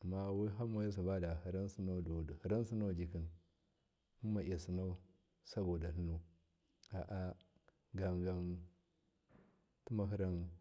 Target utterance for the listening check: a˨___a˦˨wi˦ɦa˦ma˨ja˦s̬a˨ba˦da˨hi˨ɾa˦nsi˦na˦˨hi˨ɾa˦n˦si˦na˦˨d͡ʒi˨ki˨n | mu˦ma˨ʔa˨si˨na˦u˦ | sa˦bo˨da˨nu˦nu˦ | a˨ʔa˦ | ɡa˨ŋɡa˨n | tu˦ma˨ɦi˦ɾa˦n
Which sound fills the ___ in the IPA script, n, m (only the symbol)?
m